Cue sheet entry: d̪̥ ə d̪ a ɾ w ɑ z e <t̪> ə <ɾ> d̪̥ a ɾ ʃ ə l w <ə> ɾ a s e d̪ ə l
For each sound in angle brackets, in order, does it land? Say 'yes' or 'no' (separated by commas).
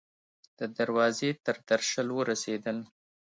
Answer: yes, yes, yes